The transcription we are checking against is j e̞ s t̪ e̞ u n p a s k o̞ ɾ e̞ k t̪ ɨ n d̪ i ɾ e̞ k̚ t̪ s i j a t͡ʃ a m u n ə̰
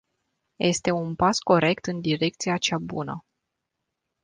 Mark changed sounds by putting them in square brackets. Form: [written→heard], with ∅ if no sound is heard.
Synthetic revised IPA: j e̞ s t̪ e̞ u n p a s k o̞ ɾ e̞ k t̪ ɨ n d̪ i ɾ e̞ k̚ t̪ s i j a t͡ʃ a [m→b] u n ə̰